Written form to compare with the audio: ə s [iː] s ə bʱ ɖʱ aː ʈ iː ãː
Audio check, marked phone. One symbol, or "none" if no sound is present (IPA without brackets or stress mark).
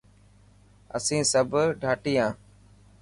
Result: ĩː